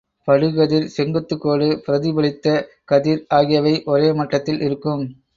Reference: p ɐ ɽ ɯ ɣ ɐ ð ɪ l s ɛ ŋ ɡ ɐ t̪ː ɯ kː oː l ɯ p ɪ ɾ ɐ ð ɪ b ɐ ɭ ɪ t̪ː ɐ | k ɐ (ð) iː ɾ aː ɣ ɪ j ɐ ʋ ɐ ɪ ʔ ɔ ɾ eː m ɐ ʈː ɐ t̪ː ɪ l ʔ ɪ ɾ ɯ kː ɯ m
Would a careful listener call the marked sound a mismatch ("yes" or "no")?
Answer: no